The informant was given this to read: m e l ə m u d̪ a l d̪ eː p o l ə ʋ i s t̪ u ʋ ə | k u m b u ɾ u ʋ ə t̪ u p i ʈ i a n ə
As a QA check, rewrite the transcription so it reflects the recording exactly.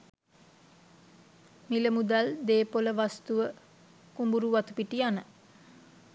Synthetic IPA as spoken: m i l ə m u d̪ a l d̪ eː p o l ə ʋ a s t̪ u ʋ ə | k u m b u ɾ u ʋ a t̪ u p i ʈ i a n ə

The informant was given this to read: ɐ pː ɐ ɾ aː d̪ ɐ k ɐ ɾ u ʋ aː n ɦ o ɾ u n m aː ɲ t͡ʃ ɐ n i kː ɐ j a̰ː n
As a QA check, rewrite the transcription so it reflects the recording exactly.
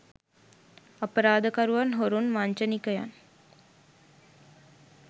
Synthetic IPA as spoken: ɐ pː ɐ ɾ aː d̪ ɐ k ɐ ɾ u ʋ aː n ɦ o ɾ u n m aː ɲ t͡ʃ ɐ n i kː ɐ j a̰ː n

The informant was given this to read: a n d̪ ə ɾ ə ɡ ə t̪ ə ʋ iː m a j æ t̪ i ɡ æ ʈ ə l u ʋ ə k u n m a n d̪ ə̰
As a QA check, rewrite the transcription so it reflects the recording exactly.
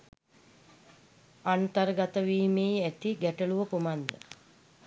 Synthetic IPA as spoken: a n t̪ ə ɾ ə ɡ a t̪ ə ʋ iː m e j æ t̪ i ɡ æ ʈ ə l u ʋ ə k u m a n d̪ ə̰

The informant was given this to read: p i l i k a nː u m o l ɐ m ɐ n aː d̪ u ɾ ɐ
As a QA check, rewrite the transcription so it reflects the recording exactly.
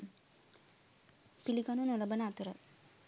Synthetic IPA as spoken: p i l i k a n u n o l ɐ b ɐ n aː t̪ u ɾ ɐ

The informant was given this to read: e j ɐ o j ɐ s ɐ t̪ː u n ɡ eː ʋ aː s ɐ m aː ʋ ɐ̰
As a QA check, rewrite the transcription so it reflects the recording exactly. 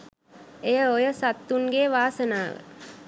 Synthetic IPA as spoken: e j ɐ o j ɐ s ɐ t̪ː u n ɡ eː ʋ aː s ɐ n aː ʋ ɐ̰

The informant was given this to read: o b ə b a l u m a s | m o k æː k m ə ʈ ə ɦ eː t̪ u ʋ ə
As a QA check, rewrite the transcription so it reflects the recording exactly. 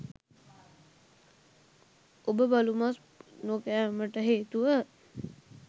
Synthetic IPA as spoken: o b ə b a l u m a s | n o k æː m ə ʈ ə ɦ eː t̪ u ʋ ə

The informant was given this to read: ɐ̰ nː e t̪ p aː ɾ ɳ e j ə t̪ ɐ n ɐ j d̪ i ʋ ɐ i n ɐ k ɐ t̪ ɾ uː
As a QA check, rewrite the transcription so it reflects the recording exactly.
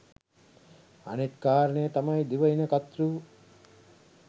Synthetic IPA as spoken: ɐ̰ n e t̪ k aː ɾ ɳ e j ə t̪ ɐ m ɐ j d̪ i ʋ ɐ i n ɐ k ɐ t̪ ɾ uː

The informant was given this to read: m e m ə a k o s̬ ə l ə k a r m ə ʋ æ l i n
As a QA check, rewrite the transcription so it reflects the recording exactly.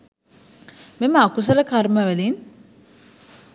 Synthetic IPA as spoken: m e m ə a k u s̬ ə l ə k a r m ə ʋ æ l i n

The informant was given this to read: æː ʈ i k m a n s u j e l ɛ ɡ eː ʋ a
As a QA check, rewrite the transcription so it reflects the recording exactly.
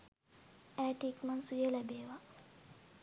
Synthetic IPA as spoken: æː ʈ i k m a n s u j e l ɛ b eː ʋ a

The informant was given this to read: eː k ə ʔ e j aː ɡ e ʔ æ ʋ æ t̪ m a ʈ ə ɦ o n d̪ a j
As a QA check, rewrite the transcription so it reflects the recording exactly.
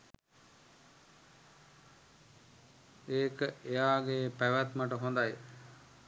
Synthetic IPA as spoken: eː k ə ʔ e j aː ɡ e p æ ʋ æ t̪ m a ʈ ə ɦ o n d̪ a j

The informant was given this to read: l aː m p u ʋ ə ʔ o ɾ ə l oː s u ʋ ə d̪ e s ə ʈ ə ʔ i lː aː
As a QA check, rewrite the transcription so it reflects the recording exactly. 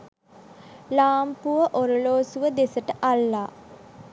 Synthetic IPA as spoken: l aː m p u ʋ ə ʔ o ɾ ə l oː s u ʋ ə d̪ e s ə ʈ ə ʔ a lː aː

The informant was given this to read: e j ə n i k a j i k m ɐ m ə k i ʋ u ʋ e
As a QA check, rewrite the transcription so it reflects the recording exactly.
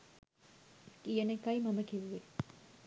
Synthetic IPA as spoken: i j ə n e k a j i m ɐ m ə k i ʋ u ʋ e

